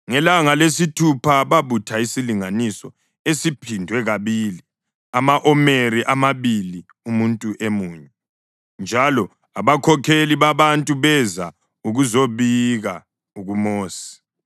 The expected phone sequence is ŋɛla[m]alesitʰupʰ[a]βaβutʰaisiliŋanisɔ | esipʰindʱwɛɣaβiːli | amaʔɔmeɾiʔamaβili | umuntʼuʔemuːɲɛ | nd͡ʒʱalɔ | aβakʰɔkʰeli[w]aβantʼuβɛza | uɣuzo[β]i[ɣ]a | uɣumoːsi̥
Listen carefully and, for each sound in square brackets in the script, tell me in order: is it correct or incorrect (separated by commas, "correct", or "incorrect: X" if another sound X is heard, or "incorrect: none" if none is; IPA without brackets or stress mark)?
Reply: incorrect: ŋ, correct, incorrect: β, correct, correct